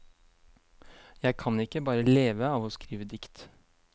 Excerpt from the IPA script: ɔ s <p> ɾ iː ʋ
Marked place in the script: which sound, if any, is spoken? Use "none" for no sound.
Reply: k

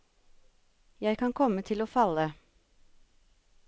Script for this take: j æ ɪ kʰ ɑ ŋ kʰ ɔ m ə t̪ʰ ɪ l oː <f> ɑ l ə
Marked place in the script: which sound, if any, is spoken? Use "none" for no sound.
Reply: f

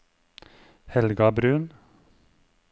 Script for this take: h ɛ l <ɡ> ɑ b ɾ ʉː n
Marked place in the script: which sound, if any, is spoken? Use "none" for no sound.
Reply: ɡ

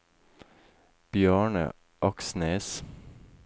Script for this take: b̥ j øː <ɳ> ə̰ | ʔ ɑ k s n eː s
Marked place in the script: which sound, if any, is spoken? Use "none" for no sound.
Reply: ɳ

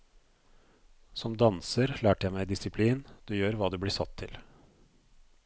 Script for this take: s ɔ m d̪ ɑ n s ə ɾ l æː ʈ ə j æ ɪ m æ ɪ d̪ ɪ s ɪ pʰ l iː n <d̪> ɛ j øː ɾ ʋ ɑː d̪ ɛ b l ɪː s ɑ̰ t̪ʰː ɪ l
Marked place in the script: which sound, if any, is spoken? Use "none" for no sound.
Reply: d̪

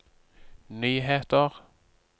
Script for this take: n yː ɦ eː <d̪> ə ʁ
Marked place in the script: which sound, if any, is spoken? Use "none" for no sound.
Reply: t̪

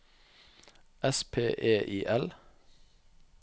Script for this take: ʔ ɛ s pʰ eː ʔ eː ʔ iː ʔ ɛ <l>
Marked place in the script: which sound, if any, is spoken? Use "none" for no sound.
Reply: l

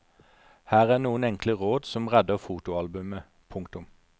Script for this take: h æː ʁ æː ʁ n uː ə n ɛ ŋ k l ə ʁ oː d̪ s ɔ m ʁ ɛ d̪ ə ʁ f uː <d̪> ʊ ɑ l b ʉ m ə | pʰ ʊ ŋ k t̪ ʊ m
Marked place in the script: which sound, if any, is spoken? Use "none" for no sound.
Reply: t̪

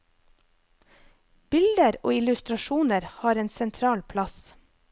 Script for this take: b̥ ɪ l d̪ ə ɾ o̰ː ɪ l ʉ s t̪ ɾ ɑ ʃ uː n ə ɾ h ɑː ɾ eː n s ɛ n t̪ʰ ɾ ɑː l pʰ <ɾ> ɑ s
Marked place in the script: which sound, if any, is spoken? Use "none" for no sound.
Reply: l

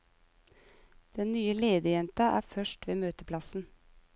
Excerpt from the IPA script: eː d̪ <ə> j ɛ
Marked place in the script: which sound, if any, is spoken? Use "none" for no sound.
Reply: ə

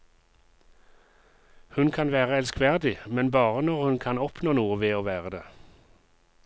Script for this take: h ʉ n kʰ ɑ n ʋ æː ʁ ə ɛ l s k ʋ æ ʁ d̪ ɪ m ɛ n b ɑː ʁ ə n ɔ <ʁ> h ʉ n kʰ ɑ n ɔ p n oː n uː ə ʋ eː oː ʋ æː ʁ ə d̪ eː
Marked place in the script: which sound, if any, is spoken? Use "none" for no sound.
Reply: ʁ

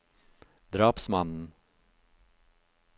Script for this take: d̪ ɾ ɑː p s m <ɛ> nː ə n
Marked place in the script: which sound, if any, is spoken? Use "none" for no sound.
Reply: a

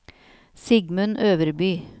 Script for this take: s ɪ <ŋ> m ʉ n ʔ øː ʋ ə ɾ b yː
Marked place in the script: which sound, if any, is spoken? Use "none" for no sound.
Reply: ɡ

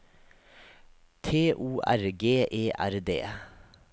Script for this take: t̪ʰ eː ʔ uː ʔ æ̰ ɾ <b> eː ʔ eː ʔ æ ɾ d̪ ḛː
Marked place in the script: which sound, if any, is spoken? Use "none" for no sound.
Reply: ɡ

